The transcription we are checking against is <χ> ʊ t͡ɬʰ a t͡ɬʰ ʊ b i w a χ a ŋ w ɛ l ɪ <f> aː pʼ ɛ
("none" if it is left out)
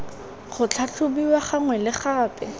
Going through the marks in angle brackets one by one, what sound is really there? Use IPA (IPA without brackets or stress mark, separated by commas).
χ, χ